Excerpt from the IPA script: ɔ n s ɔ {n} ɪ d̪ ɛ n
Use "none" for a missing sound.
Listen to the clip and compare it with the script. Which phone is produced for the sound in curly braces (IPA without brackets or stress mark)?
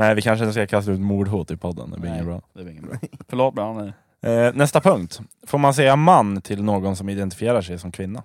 m